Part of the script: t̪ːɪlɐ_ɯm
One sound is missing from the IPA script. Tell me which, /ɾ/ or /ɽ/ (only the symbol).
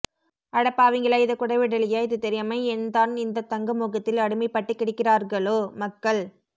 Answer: ɽ